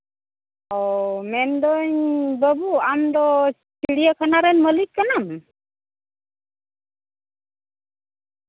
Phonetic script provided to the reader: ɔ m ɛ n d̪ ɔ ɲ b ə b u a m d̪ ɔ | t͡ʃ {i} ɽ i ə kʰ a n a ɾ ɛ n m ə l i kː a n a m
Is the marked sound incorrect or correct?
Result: correct